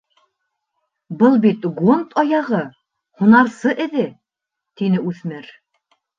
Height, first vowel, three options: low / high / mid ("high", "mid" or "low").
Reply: mid